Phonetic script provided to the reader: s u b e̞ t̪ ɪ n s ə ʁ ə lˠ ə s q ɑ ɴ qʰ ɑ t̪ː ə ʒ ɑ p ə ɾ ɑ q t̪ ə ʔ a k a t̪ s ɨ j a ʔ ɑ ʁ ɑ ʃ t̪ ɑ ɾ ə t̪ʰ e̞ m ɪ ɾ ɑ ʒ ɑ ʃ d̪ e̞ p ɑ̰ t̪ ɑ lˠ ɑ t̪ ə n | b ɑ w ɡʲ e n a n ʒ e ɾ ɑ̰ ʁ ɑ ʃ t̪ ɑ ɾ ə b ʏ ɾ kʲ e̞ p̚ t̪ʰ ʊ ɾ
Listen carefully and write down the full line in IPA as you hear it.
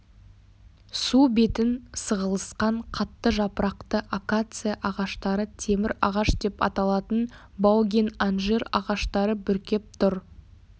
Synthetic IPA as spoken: s u b e̞ t̪ ɪ n s ə ʁ ə lˠ ə s q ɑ ɴ qʰ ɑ t̪ː ə ʒ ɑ p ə ɾ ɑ q t̪ ə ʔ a k a t̪ s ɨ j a ʔ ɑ ʁ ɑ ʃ t̪ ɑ ɾ ə t̪ʰ e̞ m ɪ ɾ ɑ ʁ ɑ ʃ d̪ e̞ p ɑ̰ t̪ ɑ lˠ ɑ t̪ ə n | b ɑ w ɡʲ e n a n ʒ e ɾ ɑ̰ ʁ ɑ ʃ t̪ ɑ ɾ ə b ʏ ɾ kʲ e̞ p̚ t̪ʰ ʊ ɾ